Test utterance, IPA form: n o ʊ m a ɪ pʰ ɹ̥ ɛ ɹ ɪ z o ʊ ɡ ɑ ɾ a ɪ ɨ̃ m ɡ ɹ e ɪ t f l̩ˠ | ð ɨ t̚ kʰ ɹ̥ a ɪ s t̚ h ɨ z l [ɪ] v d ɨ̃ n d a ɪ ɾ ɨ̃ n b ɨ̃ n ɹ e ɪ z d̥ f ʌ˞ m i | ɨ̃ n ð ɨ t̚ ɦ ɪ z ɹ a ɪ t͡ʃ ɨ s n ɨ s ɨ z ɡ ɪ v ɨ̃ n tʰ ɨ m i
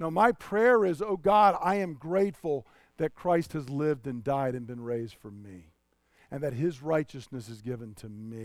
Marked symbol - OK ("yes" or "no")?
yes